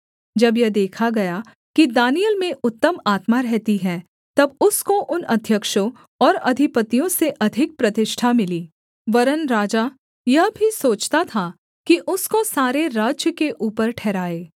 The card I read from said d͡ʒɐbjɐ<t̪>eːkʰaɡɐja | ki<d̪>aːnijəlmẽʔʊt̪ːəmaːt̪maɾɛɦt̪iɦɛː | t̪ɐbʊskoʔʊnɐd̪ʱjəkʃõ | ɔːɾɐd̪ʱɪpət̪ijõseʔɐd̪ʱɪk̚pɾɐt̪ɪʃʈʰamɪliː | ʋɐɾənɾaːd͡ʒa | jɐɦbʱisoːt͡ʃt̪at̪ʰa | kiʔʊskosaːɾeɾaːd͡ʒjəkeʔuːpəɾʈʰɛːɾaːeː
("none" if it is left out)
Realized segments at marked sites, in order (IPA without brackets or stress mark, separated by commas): d̪, d̪